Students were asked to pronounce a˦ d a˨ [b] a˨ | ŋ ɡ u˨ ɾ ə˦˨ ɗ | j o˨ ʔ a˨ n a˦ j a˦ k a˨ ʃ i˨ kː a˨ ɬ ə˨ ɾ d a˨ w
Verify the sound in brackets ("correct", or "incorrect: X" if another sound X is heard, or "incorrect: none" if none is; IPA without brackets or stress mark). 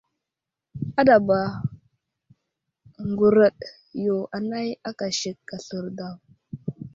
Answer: correct